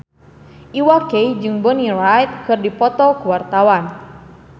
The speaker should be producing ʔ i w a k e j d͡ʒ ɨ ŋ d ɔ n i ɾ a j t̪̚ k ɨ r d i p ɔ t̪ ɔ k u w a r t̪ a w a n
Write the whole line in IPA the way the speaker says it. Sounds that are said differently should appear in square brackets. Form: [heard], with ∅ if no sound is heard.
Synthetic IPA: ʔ i w a k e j d͡ʒ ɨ ŋ [b] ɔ n i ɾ a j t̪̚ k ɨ r d i p ɔ t̪ ɔ k u w a r t̪ a w a n